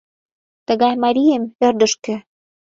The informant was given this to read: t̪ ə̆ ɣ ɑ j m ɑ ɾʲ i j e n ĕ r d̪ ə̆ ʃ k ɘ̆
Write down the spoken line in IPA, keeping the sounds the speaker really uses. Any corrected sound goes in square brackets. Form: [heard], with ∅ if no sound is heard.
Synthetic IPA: t̪ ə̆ ɣ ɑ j m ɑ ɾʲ i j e [m] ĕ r d̪ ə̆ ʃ k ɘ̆